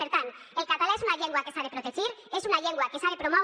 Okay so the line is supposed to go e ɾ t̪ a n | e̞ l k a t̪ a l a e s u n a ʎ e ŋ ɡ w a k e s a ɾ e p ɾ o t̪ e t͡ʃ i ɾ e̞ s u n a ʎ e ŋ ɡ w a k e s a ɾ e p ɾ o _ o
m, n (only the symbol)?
m